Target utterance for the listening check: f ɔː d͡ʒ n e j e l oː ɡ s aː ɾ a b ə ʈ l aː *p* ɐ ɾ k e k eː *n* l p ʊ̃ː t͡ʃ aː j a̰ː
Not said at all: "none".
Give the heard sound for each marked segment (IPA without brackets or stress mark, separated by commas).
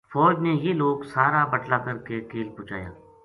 k, none